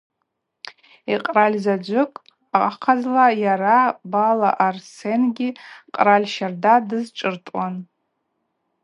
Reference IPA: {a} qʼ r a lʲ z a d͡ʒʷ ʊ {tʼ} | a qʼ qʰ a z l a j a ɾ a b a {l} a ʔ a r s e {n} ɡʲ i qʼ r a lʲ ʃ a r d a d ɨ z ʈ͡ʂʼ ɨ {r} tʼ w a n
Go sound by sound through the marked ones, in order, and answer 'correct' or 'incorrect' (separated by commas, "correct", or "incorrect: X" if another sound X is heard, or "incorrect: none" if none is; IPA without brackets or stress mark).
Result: incorrect: i, incorrect: kʼ, correct, correct, correct